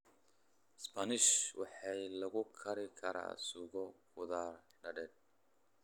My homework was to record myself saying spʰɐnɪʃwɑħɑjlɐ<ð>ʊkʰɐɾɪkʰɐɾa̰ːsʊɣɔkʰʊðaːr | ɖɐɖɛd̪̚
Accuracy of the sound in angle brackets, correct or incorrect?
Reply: incorrect